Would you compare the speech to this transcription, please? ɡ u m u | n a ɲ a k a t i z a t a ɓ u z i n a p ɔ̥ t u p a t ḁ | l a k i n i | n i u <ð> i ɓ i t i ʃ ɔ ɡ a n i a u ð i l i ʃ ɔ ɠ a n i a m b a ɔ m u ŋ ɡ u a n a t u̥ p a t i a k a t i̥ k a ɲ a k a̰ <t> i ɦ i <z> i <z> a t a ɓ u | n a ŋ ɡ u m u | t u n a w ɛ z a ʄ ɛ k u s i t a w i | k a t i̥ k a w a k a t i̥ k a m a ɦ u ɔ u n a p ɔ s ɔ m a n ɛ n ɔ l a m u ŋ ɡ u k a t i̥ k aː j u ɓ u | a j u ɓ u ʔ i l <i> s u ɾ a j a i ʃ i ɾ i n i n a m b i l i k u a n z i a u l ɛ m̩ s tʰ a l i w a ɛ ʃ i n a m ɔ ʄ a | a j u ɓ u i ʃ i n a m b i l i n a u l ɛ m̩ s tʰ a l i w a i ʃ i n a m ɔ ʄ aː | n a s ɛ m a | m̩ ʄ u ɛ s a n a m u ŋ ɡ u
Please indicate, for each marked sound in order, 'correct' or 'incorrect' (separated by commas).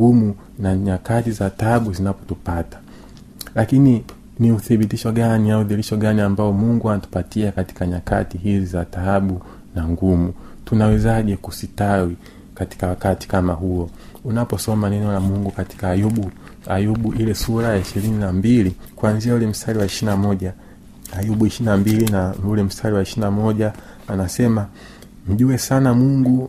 incorrect, correct, correct, correct, incorrect